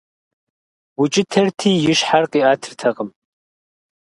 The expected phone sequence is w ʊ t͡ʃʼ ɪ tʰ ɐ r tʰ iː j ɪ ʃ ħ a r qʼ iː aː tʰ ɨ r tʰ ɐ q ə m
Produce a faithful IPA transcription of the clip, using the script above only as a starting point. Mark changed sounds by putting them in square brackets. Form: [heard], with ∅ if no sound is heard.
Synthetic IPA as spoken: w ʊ t͡ʃʼ ɪ tʰ ɐ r tʰ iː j ɪ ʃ ħ a r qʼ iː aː tʰ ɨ r tʰ ɐ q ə m